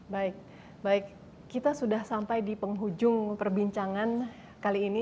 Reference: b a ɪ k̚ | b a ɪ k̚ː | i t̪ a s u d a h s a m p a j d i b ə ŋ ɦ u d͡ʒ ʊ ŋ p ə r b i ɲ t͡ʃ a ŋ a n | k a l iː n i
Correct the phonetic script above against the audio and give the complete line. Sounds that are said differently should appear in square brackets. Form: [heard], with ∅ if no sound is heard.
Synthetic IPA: b a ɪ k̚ | b a ɪ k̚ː | i t̪ a s u d a h s a m p a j d i [p] ə ŋ ɦ u d͡ʒ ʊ ŋ p ə r b i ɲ t͡ʃ a ŋ a n | k a l iː n i